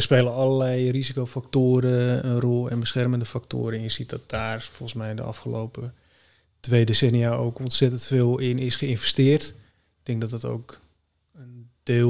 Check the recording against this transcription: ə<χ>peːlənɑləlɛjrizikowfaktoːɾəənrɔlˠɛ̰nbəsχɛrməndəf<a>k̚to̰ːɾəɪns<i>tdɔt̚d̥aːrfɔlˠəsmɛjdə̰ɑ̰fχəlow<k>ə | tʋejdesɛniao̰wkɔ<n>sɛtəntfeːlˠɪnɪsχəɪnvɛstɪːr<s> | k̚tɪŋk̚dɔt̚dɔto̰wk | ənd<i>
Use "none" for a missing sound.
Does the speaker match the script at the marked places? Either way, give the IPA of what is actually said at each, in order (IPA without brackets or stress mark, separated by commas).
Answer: s, a, i, p, n, t, e